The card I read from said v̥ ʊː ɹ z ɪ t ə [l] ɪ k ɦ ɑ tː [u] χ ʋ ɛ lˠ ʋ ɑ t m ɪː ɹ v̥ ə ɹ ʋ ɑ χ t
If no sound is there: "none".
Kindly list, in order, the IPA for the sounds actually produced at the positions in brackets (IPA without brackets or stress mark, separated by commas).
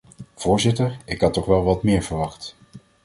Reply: ɹ, ɔ